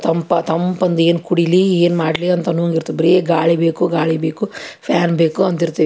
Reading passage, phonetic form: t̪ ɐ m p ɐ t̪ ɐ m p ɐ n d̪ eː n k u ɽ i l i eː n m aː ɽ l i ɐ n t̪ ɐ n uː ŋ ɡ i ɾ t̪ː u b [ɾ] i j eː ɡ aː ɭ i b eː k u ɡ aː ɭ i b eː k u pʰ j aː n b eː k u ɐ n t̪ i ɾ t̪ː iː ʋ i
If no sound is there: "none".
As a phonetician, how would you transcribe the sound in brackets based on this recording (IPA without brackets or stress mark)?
ɾ